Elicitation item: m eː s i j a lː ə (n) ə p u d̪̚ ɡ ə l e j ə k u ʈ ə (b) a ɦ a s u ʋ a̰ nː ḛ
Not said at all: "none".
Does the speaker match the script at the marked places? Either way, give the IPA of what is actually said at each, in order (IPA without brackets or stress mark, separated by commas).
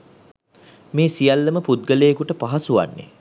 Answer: m, p